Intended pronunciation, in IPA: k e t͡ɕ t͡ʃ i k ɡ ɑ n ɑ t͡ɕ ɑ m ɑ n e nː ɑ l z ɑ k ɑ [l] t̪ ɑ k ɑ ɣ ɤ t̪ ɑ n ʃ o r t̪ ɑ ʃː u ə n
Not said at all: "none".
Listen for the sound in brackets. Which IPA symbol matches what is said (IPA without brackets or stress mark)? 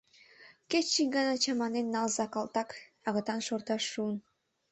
l